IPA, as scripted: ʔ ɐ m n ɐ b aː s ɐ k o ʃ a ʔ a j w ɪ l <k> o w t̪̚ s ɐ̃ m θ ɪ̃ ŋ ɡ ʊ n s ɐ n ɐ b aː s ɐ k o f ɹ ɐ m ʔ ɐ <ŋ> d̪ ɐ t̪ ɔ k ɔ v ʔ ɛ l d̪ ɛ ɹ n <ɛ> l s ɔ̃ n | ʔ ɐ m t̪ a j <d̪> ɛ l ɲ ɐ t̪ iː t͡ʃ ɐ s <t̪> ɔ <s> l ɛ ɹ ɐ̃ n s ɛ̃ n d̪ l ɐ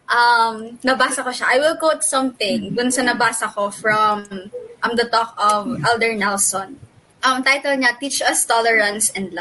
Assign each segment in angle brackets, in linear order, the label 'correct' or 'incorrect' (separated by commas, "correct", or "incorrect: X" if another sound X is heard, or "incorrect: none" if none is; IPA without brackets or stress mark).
correct, incorrect: m, correct, incorrect: t̪, correct, incorrect: none